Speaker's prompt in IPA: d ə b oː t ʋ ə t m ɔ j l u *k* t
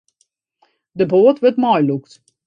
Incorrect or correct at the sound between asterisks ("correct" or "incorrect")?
correct